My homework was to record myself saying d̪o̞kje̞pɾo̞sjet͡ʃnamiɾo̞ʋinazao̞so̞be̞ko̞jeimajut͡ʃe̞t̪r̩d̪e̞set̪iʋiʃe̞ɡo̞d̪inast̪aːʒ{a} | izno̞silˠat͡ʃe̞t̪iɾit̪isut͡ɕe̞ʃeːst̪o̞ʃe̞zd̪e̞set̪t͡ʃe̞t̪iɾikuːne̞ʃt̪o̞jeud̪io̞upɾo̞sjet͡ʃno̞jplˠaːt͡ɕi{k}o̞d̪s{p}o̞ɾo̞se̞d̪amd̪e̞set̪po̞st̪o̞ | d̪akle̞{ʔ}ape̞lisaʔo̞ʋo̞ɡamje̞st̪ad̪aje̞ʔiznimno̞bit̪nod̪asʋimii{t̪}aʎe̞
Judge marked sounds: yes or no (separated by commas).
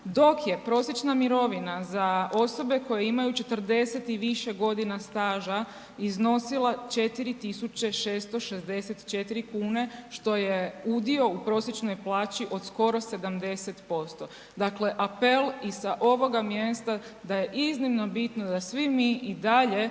yes, no, no, yes, no